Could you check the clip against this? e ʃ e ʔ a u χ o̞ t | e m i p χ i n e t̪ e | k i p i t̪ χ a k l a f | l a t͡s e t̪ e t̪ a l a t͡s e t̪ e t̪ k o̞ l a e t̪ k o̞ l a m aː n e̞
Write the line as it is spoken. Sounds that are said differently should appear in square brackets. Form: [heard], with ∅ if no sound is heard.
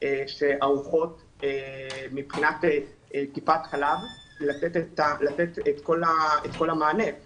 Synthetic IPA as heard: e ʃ e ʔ a u χ o̞ t | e m i p χ i n [a] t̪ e | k i p [a] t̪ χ a [∅] l a [v] | l a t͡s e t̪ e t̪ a l a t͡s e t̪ e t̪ k o̞ l a e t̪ k o̞ l a m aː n e̞